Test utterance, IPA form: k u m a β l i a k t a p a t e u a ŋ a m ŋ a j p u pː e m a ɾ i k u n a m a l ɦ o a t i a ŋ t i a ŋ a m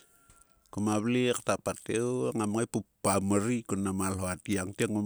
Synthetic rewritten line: k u m a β l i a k t a p a t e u a ŋ a m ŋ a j p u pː a m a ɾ i k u n a m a l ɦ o a t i a ŋ t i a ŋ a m